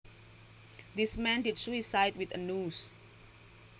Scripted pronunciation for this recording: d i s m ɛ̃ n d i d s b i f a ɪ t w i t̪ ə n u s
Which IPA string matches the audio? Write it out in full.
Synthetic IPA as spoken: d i s m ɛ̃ n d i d s w i s a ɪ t w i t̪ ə n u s